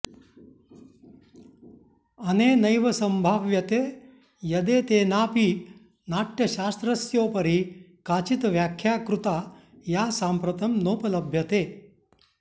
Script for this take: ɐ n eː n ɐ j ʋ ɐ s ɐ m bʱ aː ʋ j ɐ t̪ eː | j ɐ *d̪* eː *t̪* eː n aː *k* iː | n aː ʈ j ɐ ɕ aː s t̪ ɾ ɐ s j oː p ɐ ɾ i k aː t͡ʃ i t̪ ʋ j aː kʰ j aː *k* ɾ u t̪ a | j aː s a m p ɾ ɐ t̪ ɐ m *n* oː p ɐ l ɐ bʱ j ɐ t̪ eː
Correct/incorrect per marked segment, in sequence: correct, correct, incorrect: p, correct, correct

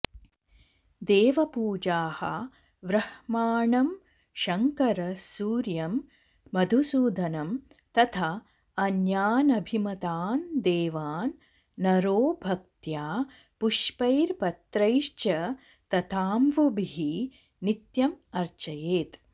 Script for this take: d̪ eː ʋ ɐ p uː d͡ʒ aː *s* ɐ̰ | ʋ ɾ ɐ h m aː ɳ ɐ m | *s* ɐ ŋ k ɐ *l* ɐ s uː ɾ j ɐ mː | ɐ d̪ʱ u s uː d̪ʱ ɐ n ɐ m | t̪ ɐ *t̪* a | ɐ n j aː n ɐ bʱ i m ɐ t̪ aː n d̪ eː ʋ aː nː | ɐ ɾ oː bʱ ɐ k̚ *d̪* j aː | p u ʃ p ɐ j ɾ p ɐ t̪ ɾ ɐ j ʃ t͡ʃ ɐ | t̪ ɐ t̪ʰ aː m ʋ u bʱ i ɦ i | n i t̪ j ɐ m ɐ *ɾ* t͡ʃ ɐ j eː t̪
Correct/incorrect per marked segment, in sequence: incorrect: h, incorrect: ʃ, incorrect: ɾ, incorrect: t̪ʰ, incorrect: t̪, correct

